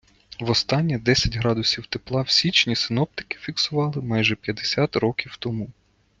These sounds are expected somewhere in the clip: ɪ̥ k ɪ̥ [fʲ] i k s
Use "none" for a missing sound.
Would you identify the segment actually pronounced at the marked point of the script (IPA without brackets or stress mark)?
fʲ